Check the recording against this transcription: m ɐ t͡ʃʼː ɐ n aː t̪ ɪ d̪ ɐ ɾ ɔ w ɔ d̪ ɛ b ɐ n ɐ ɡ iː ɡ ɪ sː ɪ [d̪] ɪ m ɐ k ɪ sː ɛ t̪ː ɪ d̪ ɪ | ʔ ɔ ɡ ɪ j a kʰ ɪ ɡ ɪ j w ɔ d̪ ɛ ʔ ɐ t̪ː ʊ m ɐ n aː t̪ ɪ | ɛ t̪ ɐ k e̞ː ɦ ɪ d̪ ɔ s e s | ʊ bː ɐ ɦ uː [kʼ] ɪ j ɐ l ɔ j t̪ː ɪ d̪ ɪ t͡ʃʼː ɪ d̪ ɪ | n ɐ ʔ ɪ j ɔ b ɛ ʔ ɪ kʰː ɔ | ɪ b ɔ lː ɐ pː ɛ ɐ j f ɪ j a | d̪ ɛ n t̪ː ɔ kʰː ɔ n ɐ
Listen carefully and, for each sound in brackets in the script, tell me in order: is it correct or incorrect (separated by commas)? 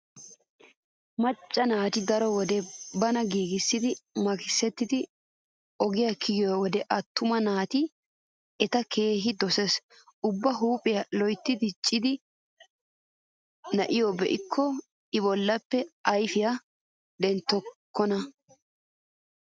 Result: correct, incorrect